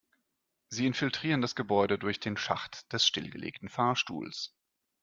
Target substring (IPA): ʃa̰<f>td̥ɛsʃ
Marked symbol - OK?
no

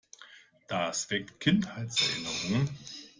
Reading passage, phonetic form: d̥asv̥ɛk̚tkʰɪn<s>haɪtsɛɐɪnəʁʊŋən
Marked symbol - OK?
no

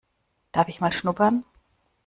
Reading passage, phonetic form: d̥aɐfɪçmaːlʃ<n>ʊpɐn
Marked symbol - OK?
yes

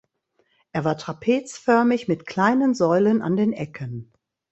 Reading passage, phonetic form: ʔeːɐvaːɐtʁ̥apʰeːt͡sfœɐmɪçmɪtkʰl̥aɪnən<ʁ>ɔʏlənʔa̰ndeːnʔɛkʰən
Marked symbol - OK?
no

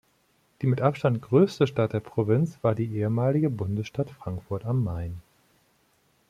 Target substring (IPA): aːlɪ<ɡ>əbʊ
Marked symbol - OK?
yes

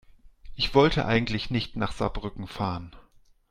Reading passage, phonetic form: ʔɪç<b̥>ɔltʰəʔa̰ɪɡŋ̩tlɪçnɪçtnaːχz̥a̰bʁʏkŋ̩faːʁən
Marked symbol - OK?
no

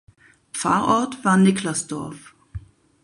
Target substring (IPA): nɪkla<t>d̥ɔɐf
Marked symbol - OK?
no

